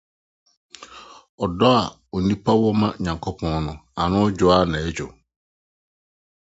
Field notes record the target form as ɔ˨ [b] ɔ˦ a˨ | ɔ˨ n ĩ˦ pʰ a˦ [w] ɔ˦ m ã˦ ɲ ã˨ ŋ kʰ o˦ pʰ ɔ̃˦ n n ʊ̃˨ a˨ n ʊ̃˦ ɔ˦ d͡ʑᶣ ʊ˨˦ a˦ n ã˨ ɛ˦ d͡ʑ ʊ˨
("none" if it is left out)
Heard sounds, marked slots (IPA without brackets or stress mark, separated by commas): d, w